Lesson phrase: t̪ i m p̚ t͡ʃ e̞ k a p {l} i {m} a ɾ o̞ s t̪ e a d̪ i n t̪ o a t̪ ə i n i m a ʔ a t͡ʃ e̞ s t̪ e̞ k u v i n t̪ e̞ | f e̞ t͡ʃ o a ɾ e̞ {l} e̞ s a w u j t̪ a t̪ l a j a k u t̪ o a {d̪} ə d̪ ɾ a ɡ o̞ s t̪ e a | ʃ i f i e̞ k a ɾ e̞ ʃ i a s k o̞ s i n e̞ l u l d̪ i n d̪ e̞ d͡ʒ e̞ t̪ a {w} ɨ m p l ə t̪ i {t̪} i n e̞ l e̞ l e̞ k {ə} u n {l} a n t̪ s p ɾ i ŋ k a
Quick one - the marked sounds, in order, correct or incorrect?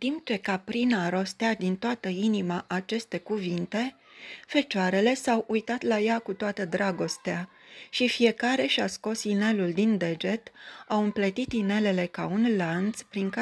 incorrect: ɾ, incorrect: n, correct, incorrect: t̪, correct, correct, incorrect: a, correct

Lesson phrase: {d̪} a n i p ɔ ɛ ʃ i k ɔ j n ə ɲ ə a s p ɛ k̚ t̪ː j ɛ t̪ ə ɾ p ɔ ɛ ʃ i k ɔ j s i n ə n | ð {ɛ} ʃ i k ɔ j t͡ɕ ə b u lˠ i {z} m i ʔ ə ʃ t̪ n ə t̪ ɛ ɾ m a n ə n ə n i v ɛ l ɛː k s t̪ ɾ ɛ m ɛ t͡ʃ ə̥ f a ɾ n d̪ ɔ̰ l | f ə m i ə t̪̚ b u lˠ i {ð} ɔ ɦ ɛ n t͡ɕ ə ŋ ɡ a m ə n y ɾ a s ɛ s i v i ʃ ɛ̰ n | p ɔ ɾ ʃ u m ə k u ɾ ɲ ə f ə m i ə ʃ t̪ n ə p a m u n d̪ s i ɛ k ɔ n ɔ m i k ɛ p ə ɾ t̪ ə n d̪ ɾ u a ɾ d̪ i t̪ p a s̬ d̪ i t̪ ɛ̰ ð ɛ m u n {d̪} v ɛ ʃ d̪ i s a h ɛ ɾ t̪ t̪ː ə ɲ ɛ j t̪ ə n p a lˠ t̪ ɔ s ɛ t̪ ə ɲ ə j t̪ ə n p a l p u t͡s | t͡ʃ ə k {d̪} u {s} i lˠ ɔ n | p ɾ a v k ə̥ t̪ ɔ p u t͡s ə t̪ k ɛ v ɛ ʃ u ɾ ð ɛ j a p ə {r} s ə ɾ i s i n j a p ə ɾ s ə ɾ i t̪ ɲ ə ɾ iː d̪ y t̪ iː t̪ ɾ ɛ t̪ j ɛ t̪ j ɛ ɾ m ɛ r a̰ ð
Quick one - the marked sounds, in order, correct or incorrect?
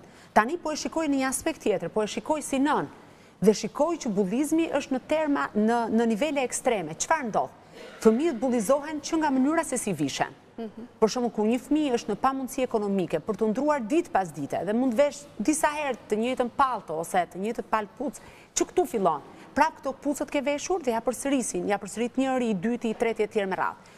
incorrect: t̪, correct, correct, incorrect: z, correct, incorrect: t̪, incorrect: f, incorrect: ɾ

